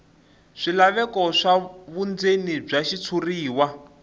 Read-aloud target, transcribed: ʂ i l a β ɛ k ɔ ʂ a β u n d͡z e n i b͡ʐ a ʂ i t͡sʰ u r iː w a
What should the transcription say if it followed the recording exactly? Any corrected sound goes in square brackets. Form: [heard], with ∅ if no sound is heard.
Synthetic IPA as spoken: ʂ i l a β ɛ k ɔ ʂ a β u n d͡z e n i b͡ʐ a [ʃ] i t͡sʰ u r iː w a